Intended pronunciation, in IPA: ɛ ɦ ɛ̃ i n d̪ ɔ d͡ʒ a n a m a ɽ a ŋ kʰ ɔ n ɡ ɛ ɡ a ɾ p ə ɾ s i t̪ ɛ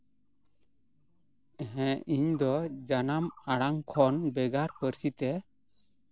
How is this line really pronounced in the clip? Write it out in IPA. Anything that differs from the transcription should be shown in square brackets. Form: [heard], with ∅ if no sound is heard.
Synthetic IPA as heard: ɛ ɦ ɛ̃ i [ɲ] d̪ ɔ d͡ʒ a n a m a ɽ a ŋ kʰ ɔ n [b] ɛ ɡ a ɾ p ə ɾ s i t̪ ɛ